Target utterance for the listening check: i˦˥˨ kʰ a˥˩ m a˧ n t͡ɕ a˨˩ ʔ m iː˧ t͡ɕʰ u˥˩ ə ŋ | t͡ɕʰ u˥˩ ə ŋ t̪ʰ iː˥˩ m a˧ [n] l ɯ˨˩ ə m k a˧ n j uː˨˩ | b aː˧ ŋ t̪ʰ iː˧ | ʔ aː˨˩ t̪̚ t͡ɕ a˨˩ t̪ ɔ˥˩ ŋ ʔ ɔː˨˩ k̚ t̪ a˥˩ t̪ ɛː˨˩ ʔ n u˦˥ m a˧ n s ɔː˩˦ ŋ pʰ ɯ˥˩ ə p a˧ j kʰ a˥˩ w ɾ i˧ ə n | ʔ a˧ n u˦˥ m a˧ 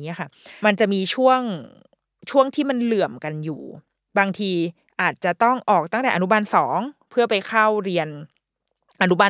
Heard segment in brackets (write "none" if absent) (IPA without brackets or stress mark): n